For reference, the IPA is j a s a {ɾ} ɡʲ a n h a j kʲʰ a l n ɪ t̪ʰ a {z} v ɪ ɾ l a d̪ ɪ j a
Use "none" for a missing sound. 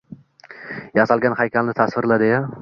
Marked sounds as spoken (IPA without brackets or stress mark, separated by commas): l, s